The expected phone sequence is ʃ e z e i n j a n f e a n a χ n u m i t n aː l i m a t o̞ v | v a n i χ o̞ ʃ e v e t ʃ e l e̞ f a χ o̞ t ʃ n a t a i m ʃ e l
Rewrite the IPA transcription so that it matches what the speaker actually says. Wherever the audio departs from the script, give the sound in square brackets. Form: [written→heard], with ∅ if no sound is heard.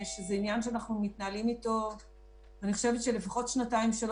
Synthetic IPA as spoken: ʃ e z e i n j a n [f→ʃ] e a n a χ n u m i t n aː l i m [a→i] t o̞ v | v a n i χ o̞ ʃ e v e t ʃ e l e̞ f a χ o̞ t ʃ n a t a i m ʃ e l